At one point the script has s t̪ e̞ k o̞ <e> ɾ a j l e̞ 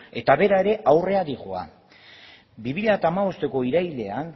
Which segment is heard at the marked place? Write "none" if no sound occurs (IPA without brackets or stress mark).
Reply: i